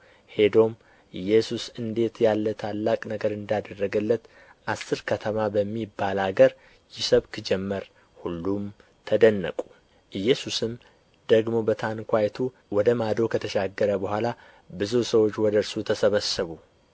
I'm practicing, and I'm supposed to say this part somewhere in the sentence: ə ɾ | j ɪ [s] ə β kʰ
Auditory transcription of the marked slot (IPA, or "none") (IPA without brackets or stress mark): s